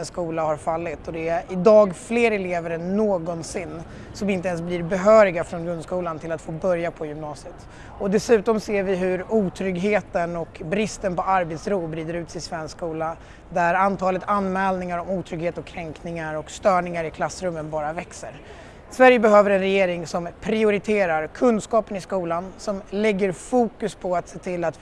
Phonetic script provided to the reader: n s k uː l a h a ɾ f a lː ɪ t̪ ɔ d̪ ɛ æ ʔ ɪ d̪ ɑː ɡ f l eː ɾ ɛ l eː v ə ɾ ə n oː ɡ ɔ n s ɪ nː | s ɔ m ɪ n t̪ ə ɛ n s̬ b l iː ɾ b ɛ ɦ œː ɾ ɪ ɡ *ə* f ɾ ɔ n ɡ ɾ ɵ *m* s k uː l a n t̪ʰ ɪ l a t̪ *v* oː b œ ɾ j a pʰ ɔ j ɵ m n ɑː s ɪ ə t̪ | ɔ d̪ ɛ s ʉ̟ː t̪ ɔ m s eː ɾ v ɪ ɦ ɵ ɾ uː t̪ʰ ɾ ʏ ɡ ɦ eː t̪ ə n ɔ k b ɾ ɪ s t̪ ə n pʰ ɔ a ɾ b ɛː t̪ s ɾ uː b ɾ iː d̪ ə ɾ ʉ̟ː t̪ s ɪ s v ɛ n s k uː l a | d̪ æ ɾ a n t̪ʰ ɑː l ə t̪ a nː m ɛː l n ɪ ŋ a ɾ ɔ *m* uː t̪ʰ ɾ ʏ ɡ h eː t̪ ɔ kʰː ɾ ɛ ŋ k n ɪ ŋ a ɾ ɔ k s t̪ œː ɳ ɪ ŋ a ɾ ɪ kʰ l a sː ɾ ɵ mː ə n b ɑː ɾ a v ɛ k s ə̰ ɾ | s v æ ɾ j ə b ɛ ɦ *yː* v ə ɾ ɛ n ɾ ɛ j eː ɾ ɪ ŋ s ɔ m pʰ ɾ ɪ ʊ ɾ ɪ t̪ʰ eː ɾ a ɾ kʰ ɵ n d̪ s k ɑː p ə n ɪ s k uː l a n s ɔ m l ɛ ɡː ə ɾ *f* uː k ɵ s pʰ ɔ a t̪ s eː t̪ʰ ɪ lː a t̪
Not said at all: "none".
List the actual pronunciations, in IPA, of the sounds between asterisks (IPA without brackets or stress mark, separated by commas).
a, n, f, m, øː, f